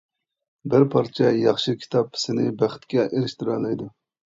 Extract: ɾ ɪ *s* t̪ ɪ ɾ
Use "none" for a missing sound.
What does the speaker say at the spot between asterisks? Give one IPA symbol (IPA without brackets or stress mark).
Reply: ʃ